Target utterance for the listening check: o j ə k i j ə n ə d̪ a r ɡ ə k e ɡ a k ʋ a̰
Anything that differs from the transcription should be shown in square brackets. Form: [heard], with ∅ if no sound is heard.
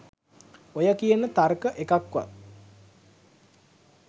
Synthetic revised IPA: o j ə k i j ə n ə [t̪] a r [k] ə [ʔ] e [k] a k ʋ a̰